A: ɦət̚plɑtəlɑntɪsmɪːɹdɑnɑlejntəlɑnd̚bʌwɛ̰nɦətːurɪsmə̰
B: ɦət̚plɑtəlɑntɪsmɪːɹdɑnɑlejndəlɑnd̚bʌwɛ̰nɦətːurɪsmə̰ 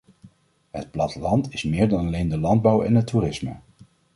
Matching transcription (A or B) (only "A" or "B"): B